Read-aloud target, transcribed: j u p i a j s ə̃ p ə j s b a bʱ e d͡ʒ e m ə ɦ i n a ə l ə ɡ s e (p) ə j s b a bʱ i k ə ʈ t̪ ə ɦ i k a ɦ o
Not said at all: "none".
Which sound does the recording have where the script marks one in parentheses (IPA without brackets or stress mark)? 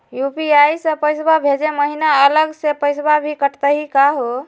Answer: p